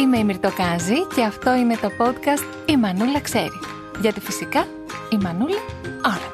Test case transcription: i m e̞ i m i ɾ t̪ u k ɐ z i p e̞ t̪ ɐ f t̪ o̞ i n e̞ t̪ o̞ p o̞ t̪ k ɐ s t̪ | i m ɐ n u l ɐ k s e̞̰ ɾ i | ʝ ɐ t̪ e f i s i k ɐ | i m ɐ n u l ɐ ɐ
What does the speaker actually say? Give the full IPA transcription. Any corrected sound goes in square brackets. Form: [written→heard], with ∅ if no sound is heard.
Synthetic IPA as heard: i m e̞ i m i ɾ t̪ [u→o] k ɐ z i [p→c] e̞ [t̪→∅] ɐ f t̪ o̞ i n e̞ t̪ o̞ p o̞ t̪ k ɐ s t̪ | i m ɐ n u l ɐ k s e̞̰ ɾ i | ʝ ɐ t̪ [e→i] f i s i k ɐ | i m ɐ n u l ɐ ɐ